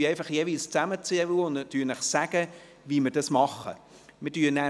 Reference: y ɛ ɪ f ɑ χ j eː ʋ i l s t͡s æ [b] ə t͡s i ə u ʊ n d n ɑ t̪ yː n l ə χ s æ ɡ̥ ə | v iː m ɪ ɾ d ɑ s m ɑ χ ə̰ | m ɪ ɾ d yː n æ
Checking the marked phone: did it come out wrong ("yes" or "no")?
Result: yes